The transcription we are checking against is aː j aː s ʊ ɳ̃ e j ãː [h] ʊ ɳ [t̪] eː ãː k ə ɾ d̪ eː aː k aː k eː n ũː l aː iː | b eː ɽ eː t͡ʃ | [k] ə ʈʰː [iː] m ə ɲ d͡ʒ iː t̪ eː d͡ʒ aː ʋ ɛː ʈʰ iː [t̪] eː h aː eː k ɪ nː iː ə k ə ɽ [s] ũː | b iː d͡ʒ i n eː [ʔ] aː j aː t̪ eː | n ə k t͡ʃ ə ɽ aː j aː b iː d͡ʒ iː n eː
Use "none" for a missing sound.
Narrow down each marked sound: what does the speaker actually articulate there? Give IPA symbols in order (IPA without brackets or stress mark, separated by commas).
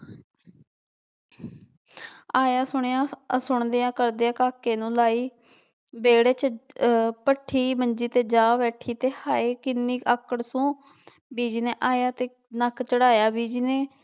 s, d̪, p, iː, t̪, s, ʔ